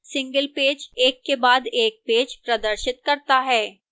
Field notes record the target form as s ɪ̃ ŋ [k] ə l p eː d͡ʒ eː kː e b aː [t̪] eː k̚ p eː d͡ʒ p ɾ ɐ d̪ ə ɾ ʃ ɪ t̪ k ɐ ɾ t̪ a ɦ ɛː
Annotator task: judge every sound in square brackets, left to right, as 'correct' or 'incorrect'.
incorrect: ɡ, incorrect: d̪

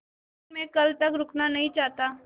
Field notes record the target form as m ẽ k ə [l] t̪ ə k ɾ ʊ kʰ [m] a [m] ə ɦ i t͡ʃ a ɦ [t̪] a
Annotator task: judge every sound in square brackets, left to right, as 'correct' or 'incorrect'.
correct, incorrect: n, incorrect: n, correct

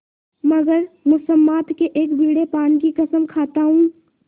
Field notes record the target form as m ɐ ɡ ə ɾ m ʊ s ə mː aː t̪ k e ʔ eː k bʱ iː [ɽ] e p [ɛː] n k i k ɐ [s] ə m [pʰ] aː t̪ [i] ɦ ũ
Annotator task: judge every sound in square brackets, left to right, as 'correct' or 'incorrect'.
correct, incorrect: aː, correct, incorrect: kʰ, incorrect: a

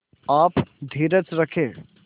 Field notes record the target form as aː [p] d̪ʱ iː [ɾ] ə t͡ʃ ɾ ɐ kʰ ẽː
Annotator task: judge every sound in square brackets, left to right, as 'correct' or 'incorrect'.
correct, correct

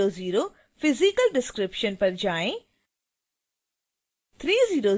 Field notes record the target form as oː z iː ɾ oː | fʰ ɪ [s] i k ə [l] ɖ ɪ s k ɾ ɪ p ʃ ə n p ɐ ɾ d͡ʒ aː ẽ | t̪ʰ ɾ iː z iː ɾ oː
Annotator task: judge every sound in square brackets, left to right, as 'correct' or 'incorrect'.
incorrect: z, correct

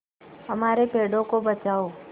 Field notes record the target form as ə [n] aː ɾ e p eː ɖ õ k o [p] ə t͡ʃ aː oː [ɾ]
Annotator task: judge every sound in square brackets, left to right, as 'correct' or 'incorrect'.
incorrect: m, incorrect: b, incorrect: none

